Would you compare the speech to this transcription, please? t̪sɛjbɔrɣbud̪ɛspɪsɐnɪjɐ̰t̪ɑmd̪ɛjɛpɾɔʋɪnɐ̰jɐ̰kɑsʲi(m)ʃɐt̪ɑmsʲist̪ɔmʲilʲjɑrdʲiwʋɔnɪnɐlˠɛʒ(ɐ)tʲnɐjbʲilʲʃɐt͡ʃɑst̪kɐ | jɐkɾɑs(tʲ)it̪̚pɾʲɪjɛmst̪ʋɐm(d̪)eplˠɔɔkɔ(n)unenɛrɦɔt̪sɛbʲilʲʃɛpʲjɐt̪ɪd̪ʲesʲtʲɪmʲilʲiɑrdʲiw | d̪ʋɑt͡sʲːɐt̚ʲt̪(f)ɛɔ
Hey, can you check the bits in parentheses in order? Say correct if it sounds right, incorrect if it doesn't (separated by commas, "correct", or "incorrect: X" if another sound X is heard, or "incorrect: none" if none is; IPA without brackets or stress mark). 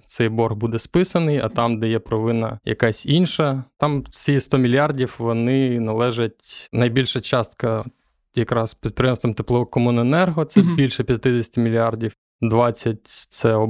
incorrect: n, correct, incorrect: pʲ, incorrect: t̪, incorrect: m, incorrect: s